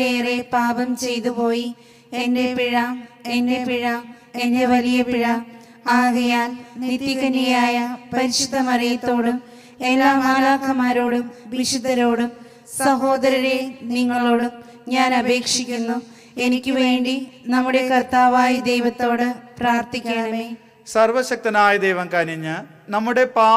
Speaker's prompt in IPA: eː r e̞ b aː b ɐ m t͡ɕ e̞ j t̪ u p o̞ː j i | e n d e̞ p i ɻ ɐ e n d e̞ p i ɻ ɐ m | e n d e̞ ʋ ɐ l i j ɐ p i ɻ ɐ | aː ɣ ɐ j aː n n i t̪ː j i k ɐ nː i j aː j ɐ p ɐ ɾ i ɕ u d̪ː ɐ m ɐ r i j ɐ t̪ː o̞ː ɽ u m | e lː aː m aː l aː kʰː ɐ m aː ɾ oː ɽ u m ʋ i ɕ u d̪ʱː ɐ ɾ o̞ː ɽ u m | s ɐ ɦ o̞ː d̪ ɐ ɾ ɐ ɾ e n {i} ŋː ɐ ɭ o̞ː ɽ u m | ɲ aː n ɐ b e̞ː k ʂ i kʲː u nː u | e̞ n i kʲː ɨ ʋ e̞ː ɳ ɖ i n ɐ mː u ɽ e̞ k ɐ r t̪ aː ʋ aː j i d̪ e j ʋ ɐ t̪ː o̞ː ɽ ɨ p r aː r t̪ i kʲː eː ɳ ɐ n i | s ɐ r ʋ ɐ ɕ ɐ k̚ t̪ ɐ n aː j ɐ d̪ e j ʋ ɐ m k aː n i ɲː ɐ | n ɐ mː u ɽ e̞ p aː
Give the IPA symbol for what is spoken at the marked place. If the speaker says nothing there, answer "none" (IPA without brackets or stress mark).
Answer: i